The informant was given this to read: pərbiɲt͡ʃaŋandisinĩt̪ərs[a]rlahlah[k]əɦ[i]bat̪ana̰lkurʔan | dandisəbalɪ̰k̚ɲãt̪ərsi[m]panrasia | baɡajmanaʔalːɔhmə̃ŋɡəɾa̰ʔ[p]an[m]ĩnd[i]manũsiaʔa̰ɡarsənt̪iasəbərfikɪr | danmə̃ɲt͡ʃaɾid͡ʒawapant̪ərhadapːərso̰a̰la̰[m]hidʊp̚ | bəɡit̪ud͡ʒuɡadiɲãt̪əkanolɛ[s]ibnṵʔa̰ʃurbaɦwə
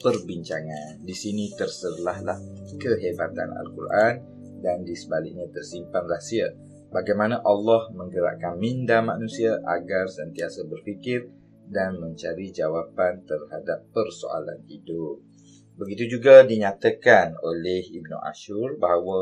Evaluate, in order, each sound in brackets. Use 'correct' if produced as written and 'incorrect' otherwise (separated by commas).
incorrect, correct, incorrect, correct, incorrect, correct, incorrect, incorrect, incorrect